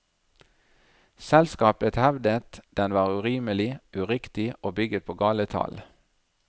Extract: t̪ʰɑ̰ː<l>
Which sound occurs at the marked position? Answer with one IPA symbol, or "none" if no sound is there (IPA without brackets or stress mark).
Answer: l